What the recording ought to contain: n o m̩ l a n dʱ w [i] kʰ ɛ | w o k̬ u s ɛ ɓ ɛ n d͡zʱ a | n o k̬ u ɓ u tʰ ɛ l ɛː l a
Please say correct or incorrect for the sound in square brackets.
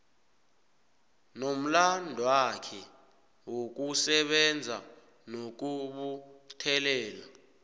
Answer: incorrect